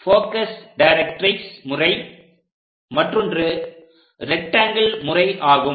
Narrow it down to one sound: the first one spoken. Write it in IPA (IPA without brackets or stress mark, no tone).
f